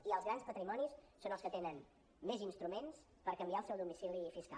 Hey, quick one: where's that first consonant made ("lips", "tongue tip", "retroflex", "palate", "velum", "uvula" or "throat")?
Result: tongue tip